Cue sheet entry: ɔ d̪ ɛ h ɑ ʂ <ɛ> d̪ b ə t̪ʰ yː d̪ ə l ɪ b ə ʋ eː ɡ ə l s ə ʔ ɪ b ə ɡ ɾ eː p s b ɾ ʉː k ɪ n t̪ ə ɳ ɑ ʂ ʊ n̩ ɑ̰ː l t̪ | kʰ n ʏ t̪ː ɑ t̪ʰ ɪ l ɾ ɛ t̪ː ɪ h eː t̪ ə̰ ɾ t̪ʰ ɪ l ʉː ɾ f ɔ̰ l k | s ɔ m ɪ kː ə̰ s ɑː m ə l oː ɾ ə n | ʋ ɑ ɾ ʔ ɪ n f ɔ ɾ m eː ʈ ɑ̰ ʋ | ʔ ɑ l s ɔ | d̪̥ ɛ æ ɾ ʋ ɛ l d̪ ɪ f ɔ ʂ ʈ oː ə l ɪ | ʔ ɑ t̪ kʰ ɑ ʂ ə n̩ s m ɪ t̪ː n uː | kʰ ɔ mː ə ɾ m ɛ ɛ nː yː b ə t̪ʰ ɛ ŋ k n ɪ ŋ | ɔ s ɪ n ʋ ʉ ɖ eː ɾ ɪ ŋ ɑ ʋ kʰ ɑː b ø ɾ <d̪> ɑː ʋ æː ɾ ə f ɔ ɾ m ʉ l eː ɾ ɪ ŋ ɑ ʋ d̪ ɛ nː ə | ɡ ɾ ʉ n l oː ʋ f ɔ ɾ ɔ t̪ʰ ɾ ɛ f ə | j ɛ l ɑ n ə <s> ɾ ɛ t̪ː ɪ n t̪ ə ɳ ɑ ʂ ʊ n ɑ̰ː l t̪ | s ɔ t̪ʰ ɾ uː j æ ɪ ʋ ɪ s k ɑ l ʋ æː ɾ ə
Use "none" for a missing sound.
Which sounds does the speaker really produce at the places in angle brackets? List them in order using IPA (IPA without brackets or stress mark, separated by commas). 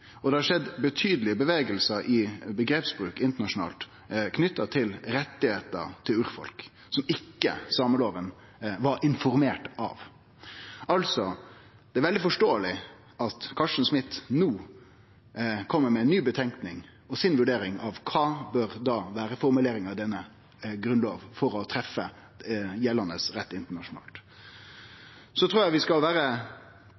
ɛ, d̪, s